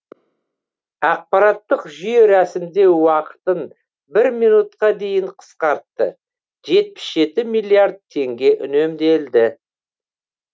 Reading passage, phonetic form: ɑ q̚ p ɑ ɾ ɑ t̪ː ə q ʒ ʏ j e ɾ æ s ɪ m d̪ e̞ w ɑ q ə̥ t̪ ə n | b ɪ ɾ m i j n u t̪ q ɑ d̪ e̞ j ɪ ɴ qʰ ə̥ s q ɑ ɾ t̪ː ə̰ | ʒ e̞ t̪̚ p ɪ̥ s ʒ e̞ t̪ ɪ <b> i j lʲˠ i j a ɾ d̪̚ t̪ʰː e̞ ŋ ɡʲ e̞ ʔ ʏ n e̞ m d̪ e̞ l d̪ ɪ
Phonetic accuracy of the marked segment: incorrect: m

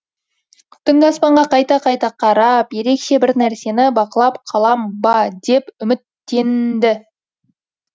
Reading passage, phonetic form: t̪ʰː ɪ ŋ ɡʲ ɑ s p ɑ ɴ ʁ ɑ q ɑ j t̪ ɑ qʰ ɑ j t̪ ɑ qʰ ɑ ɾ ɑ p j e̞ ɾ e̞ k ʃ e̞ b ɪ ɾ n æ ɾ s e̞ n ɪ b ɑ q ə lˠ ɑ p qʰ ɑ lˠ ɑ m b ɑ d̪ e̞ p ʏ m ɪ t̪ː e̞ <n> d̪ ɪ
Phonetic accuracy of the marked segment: correct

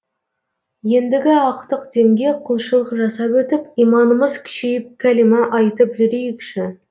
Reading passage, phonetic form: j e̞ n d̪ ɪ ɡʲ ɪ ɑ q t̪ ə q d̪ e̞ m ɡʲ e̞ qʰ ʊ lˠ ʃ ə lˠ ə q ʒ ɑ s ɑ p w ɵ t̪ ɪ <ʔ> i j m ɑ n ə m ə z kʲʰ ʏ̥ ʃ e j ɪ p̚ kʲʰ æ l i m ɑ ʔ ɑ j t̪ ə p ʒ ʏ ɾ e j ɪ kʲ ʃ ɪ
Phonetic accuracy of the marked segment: incorrect: p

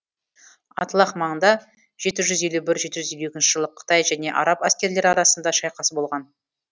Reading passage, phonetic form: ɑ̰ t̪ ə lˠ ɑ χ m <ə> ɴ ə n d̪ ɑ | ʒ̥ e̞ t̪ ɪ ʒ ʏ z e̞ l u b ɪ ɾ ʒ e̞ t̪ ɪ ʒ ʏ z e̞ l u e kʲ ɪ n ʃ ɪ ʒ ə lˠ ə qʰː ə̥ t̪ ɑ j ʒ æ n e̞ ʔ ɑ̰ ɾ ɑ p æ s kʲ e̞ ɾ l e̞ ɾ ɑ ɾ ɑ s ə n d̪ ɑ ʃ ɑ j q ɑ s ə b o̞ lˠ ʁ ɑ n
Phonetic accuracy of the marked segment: incorrect: ɑ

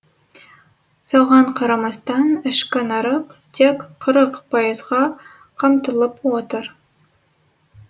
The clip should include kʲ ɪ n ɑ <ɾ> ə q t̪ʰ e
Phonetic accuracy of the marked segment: correct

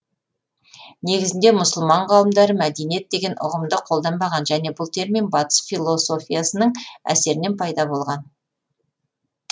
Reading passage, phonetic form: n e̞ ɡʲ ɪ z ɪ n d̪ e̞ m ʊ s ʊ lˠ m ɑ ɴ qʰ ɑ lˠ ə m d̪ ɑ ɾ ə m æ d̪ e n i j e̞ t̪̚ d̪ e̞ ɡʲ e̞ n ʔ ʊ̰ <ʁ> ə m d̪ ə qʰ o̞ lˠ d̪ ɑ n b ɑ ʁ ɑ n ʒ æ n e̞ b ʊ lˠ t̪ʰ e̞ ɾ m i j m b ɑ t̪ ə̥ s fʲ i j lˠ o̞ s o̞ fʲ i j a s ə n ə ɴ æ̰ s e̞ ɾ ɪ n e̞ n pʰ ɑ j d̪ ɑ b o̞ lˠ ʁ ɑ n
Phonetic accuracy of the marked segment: correct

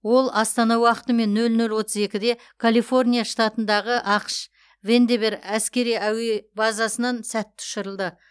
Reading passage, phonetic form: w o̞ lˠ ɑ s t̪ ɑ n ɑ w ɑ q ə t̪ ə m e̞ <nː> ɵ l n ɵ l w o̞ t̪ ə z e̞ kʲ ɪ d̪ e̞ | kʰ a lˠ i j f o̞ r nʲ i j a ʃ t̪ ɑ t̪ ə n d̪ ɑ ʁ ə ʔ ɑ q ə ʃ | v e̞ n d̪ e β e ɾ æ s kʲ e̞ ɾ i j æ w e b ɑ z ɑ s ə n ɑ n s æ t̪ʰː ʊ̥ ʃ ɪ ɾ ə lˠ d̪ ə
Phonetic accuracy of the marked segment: correct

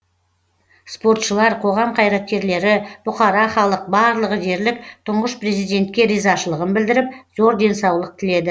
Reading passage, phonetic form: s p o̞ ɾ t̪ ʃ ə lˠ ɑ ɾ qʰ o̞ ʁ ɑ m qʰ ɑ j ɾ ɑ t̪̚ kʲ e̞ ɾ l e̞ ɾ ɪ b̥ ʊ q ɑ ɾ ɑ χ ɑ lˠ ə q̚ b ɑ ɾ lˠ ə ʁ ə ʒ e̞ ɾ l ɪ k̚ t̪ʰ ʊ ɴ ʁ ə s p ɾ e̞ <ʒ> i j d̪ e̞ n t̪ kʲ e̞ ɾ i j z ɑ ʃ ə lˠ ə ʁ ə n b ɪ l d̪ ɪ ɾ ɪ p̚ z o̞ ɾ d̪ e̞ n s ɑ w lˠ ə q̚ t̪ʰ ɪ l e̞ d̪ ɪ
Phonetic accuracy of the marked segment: incorrect: z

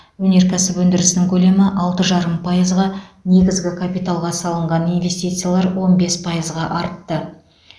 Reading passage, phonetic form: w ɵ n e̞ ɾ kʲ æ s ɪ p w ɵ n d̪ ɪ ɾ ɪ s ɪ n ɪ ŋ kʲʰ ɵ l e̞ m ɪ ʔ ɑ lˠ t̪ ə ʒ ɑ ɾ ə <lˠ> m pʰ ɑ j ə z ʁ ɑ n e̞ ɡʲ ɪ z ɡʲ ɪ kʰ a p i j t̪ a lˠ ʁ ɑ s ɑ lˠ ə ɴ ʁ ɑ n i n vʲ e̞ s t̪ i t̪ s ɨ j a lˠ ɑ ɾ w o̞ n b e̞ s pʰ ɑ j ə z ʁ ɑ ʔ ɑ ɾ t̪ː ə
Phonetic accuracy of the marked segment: incorrect: none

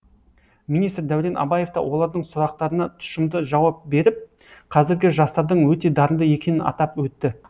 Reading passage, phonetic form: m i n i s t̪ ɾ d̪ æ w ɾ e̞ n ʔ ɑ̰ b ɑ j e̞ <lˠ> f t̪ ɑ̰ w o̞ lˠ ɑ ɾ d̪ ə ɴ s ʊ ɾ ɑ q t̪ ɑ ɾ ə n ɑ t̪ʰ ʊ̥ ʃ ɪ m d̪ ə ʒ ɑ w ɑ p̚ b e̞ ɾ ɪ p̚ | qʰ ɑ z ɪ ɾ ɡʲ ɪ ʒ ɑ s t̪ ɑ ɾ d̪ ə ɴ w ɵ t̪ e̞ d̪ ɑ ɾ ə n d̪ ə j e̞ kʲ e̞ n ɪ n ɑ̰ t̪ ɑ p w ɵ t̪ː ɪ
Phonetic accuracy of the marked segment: incorrect: none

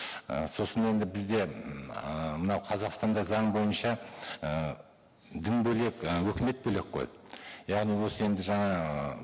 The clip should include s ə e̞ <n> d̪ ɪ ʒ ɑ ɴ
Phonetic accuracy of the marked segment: correct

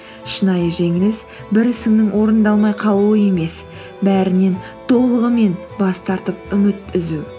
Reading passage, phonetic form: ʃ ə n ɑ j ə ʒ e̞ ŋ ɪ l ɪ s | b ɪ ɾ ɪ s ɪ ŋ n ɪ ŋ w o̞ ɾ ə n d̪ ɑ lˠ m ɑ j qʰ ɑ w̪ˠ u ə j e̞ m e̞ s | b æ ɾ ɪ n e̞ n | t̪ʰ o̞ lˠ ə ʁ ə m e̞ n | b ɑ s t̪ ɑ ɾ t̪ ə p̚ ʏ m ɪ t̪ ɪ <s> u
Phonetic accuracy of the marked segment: incorrect: z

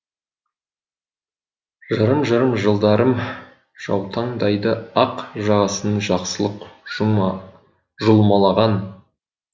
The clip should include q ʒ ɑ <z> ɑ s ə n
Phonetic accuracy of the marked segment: incorrect: ʁ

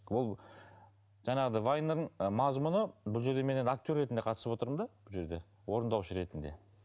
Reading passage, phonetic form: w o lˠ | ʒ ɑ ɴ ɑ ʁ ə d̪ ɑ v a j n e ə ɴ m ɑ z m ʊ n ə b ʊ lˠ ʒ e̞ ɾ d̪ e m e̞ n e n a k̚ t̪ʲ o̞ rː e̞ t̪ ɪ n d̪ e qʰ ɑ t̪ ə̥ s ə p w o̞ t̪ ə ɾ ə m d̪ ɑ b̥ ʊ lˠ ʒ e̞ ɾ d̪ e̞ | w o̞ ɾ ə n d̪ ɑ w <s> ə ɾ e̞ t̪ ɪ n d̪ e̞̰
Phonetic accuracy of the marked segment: incorrect: ʃ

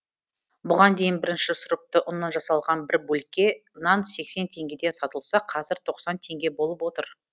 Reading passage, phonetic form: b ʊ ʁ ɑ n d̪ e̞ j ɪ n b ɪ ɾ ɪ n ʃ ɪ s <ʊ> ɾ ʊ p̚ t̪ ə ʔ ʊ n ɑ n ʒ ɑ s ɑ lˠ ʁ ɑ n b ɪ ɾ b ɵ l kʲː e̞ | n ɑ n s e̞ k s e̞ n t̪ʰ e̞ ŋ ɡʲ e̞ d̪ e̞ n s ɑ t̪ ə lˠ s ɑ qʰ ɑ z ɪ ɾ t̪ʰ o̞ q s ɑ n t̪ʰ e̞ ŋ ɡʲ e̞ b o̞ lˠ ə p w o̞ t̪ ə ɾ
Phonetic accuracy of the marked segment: correct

